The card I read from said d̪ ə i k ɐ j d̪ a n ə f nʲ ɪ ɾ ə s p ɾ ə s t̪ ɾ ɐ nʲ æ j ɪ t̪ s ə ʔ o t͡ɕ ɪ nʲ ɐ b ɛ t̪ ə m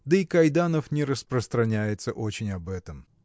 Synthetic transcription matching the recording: d̪ ə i k ɐ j d̪ a n ə f nʲ ɪ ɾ ə s p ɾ ə s t̪ ɾ ɐ nʲ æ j ɪ t̪ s ə ʔ o t͡ɕ ɪ nʲ ɐ b ɛ t̪ ə m